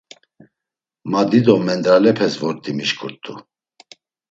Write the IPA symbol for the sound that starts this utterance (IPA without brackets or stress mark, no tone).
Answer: m